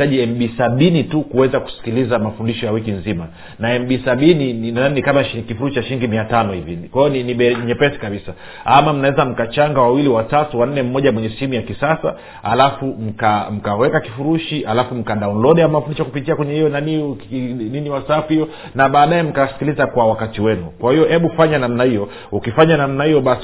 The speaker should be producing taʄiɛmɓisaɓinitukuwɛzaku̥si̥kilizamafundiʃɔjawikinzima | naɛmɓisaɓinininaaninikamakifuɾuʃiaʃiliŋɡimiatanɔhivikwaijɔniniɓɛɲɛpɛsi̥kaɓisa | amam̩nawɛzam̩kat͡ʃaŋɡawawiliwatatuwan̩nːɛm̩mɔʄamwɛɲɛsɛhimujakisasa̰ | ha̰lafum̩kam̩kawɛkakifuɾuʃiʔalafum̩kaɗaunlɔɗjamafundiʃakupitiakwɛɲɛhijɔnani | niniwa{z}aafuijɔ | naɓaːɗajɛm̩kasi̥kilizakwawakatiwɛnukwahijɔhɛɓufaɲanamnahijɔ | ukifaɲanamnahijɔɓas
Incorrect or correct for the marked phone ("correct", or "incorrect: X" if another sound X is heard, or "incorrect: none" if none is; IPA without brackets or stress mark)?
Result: incorrect: s